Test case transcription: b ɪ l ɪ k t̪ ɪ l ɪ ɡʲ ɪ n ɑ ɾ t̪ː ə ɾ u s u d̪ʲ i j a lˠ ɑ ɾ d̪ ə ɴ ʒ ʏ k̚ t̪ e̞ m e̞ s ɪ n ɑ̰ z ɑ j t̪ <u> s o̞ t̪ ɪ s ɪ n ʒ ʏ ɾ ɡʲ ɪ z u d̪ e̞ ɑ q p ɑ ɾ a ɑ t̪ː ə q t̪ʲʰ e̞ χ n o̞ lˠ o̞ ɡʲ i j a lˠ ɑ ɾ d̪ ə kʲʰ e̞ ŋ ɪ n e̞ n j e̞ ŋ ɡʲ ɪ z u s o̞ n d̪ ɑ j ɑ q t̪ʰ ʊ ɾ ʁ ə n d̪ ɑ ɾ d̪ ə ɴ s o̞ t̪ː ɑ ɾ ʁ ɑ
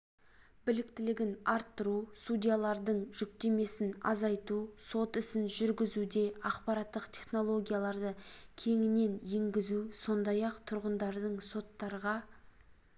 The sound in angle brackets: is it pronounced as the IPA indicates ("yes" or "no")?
yes